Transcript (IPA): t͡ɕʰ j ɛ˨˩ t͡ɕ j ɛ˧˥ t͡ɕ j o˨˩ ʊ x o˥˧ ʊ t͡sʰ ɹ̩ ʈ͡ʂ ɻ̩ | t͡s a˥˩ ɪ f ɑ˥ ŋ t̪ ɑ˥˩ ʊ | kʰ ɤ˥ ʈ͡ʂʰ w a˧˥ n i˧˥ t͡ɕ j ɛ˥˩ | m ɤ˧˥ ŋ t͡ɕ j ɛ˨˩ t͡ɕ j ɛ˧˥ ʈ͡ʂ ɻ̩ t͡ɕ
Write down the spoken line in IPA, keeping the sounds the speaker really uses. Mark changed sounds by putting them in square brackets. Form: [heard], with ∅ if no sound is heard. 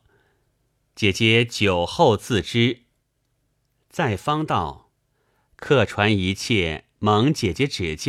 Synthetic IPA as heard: [t͡ɕ] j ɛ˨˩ t͡ɕ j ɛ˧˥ t͡ɕ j o˨˩ ʊ x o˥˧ ʊ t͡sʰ ɹ̩ ʈ͡ʂ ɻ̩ | t͡s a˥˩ ɪ f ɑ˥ ŋ t̪ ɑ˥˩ ʊ | kʰ [ɤ˥˩] ʈ͡ʂʰ w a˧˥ n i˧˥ [t͡ɕʰ] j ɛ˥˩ | m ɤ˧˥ ŋ t͡ɕ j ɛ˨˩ t͡ɕ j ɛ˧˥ ʈ͡ʂ ɻ̩ t͡ɕ